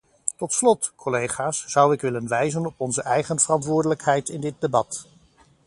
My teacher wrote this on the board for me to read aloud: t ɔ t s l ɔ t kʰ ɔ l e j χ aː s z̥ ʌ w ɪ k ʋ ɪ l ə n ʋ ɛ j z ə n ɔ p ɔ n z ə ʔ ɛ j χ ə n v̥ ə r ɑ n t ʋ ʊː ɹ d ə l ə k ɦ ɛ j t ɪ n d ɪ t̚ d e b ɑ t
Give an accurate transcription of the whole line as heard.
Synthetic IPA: t ɔ t s l ɔ t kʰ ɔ l e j χ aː s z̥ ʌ w ɪ k ʋ ɪ l ə n ʋ ɛ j z ə n ɔ p ɔ n z ə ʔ ɛ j χ ə n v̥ ə r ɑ n t ʋ ʊː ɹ d ə l ə k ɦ ɛ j t ɪ n d ɪ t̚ d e b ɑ t